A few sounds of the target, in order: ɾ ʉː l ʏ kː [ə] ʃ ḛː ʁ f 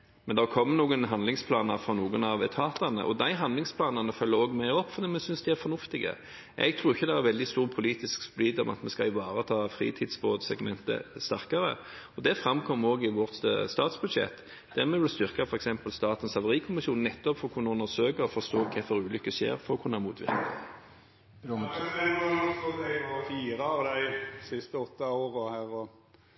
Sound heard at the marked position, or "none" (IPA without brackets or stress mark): ə